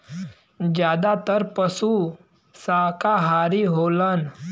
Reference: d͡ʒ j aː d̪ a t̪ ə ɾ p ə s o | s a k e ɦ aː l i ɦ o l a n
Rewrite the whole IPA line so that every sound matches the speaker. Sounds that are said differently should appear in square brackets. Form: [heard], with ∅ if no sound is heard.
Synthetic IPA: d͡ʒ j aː d̪ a t̪ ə ɾ p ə s [u] | s a k [a] ɦ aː [ɾ] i ɦ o l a n